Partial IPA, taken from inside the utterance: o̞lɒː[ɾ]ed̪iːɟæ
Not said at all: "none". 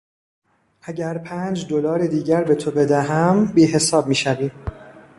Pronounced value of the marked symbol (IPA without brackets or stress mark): ɾ